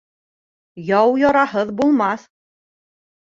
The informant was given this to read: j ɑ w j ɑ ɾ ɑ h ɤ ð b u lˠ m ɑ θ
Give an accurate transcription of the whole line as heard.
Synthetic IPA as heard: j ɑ w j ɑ ɾ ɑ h ɤ ð b u lˠ m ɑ θ